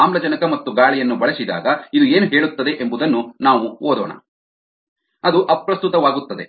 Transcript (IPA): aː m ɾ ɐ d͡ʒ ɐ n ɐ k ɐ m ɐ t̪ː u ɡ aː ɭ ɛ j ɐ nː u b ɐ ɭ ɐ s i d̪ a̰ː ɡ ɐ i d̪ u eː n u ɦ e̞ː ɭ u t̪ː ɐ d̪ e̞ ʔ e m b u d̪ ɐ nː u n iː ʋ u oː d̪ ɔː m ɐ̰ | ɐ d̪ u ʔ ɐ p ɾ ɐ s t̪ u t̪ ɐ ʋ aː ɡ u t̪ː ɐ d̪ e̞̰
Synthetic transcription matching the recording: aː m l ɐ d͡ʒ ɐ n ɐ k ɐ m ɐ t̪ː u ɡ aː ɭ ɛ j ɐ nː u b ɐ ɭ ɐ s i d̪ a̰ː ɡ ɐ i d̪ u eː n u ɦ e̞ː ɭ u t̪ː ɐ d̪ e̞ ʔ e m b u d̪ ɐ nː u n aː ʋ u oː d̪ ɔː ɳ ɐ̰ | ɐ d̪ u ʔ ɐ p ɾ ɐ s t̪ u t̪ ɐ ʋ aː ɡ u t̪ː ɐ d̪ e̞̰